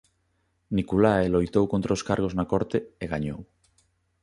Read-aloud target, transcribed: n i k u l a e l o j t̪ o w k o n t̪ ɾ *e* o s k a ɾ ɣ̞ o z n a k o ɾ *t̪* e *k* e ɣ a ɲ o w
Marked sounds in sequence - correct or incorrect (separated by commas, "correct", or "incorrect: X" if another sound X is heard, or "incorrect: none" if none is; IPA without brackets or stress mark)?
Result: incorrect: a, correct, incorrect: none